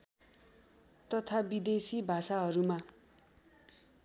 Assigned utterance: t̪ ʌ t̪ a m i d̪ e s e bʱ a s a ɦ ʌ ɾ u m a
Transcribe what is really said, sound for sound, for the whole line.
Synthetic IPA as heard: t̪ ʌ t̪ʰ a b i d̪ e s i bʱ a s a ɦ ʌ ɾ u m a

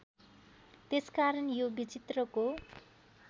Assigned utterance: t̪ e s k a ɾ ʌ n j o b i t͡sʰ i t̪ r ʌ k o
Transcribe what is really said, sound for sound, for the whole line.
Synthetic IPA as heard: t̪ e s k a ɾ ʌ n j o b i t͡s i t̪ r ʌ k o

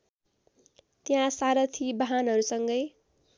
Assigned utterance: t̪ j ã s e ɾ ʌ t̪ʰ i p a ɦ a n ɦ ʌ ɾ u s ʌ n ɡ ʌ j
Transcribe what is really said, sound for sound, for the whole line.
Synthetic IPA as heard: t̪ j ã s a ɾ ʌ t̪ʰ i b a ɦ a n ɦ ʌ ɾ u s ʌ ŋ ɡ ʌ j

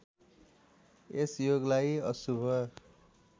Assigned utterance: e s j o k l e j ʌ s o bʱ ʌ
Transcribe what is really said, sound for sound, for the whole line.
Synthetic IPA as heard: e s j o ɡ l a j ʌ s u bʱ ʌ

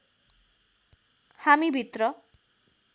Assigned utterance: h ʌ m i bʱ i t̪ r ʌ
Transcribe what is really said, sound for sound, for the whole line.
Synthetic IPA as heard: h a m i bʱ i t̪ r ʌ

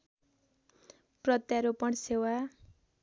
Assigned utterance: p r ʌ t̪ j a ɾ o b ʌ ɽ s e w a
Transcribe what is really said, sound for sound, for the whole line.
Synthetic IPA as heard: p r ʌ t̪ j a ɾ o p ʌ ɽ s e w a

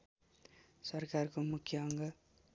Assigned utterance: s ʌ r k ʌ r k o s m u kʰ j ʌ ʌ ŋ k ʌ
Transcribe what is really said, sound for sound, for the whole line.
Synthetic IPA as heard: s ʌ r k a r k o m u kʰ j ʌ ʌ ŋ ɡ ʌ

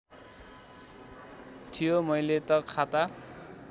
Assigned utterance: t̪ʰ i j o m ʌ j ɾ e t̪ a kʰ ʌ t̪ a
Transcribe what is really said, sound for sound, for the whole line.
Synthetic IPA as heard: t̪ʰ i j o m ʌ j l e t̪ ʌ kʰ a t̪ a

